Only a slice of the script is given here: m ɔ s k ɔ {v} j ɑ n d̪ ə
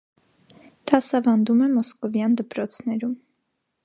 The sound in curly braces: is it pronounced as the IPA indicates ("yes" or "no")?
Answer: yes